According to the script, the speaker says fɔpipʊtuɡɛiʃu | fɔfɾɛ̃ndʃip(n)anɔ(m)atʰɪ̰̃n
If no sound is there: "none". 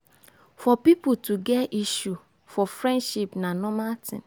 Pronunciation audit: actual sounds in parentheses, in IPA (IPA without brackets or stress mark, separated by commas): n, m